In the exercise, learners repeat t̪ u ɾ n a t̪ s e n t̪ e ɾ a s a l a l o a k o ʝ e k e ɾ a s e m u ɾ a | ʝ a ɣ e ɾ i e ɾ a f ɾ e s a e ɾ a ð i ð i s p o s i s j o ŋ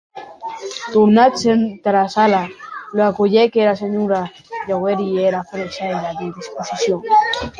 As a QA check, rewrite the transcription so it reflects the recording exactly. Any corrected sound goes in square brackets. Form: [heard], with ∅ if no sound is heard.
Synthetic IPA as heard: t̪ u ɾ n a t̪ s e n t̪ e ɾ a s a l a l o a k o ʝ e k e ɾ a s e [ɲ] u ɾ a | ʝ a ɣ e ɾ i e ɾ a f ɾ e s a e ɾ a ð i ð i s p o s i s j o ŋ